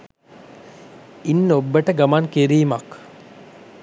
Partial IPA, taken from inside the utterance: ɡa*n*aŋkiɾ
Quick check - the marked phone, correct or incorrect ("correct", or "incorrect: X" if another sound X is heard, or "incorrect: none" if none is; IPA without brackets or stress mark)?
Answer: incorrect: m